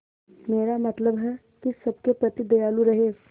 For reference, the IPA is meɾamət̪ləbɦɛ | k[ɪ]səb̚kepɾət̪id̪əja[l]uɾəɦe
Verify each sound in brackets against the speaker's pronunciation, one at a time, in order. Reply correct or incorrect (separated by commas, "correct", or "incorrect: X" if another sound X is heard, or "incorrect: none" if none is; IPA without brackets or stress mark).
incorrect: i, correct